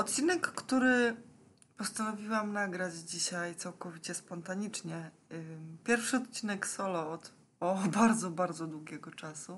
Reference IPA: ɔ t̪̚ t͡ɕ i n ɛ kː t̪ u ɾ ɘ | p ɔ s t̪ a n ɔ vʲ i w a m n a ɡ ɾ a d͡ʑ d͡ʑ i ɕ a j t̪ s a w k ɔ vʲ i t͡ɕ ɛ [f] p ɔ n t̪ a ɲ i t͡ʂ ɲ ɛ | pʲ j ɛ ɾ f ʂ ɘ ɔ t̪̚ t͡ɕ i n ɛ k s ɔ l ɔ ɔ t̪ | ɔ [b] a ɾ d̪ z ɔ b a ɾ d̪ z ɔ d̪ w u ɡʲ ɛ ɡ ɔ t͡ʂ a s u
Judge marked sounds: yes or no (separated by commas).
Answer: no, yes